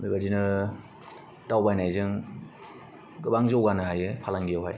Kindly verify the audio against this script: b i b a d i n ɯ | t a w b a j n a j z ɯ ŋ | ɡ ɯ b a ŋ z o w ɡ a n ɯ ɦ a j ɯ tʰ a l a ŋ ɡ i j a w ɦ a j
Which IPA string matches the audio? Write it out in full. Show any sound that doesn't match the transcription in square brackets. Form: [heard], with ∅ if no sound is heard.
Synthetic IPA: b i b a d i n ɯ | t a w b a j n a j z ɯ ŋ | ɡ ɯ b a ŋ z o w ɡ a n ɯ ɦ a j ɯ [pʰ] a l a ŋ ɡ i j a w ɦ a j